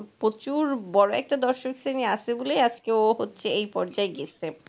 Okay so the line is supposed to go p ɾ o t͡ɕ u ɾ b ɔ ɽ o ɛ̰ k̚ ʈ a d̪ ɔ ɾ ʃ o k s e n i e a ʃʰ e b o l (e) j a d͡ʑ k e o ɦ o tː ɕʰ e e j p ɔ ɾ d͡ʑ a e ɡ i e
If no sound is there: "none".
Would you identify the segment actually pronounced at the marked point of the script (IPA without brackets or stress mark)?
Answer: e